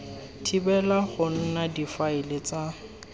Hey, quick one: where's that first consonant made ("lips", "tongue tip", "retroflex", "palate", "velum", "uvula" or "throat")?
tongue tip